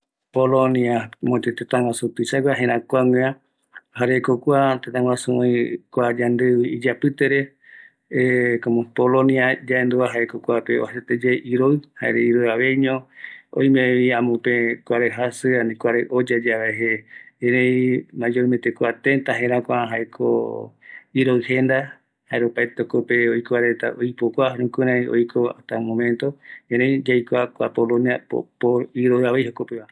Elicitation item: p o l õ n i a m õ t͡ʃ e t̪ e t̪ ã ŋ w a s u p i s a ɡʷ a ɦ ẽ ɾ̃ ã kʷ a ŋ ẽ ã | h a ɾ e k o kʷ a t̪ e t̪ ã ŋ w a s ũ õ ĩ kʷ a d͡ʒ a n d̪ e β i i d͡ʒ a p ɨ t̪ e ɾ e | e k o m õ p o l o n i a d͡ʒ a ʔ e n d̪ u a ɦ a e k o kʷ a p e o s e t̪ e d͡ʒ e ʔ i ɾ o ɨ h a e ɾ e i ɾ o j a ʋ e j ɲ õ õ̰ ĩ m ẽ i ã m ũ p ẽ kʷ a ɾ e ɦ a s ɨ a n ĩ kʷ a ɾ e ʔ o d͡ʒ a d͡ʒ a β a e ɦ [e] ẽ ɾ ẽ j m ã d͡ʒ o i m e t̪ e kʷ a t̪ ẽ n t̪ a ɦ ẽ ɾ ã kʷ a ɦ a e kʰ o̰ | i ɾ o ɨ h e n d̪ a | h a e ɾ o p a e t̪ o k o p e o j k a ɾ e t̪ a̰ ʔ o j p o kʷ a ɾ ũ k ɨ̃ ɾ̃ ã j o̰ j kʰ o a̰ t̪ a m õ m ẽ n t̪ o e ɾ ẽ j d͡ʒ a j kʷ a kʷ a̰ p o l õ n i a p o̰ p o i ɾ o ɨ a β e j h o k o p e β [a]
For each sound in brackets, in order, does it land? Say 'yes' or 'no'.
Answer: yes, yes

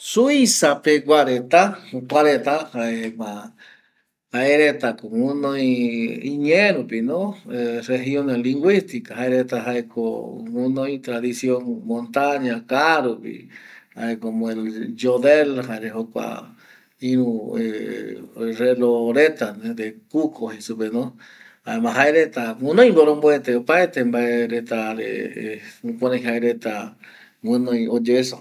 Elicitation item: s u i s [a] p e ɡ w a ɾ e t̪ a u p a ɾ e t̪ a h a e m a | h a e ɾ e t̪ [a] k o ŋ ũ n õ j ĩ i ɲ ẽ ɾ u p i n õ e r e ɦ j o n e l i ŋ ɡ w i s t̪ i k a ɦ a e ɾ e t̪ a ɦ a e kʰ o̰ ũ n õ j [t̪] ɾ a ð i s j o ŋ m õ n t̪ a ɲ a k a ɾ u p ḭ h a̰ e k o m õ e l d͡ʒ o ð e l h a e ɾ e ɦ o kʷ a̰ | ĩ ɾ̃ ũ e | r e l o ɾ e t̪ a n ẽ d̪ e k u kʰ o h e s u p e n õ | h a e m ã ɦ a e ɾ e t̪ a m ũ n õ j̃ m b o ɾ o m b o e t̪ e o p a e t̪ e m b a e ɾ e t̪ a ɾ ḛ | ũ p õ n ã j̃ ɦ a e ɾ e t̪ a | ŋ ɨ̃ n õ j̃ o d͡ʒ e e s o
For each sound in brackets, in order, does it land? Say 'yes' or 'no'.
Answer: yes, yes, yes

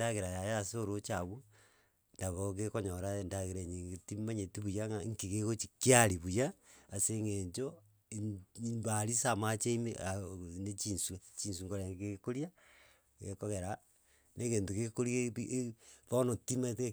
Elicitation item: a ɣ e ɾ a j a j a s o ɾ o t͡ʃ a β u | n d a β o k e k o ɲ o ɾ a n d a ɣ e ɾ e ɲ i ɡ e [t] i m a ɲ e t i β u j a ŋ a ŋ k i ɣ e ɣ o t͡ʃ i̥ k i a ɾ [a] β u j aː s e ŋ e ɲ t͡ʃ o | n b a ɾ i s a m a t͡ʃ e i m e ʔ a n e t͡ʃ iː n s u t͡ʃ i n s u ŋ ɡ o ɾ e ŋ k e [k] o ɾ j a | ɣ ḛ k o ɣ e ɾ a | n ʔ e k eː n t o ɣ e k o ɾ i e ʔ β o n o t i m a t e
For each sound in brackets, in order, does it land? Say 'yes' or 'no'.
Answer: yes, no, yes

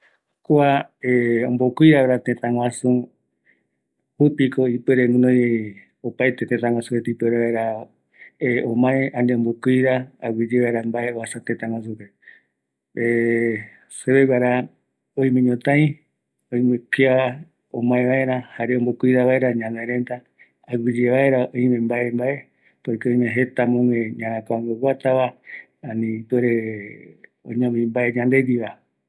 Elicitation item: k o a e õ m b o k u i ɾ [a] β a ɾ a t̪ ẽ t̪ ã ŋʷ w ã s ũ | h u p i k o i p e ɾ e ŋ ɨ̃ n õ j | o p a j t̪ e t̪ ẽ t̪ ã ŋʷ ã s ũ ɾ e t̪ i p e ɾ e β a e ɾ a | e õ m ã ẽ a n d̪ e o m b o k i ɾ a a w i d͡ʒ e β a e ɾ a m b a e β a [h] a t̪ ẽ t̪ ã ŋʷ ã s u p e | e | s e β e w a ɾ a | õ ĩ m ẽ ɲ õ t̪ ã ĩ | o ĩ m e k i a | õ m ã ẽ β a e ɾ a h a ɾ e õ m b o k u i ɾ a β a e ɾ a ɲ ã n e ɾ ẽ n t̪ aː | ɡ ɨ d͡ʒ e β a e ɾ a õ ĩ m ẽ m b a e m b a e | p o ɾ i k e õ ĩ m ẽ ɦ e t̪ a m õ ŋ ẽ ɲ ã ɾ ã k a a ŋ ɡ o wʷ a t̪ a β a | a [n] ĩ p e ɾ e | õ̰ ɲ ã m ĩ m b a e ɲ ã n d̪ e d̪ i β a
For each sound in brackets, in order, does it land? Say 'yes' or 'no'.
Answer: yes, no, yes

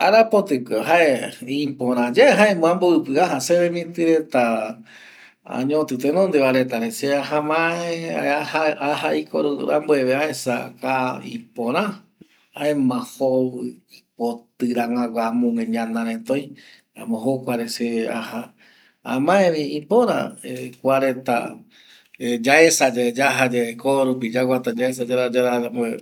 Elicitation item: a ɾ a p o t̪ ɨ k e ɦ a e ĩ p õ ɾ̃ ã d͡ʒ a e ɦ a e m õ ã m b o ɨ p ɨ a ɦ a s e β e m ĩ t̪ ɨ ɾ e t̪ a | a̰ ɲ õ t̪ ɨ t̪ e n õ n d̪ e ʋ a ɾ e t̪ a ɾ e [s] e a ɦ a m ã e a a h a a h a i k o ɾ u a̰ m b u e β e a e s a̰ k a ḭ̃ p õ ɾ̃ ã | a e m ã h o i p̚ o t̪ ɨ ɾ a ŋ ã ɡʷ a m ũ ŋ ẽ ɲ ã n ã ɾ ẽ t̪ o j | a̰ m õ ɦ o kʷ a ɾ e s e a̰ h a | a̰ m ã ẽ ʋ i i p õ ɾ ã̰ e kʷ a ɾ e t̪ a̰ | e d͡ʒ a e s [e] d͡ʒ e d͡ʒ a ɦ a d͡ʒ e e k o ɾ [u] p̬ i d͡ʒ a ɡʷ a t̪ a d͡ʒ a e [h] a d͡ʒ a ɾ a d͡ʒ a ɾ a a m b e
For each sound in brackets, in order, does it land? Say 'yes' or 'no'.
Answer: yes, no, yes, no

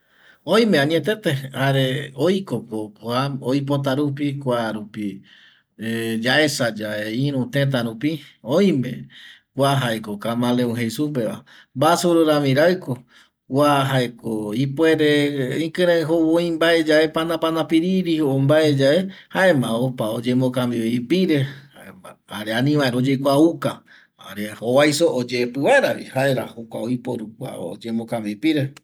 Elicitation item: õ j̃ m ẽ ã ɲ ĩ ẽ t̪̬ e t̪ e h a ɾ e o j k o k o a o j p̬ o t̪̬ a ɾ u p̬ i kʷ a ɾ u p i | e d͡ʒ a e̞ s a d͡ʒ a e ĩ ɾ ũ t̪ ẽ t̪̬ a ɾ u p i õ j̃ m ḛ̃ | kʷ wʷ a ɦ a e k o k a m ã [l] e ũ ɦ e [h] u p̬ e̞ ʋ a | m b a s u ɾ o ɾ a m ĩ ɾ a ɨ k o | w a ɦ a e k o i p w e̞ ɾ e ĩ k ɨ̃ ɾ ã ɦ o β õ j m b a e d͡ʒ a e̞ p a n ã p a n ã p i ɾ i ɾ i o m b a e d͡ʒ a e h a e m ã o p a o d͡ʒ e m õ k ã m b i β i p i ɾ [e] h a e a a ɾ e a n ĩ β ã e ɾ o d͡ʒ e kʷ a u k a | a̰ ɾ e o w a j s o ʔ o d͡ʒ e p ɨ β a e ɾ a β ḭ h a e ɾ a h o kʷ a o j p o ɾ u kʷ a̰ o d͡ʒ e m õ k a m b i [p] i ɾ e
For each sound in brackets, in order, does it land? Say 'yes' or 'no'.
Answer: yes, no, yes, yes

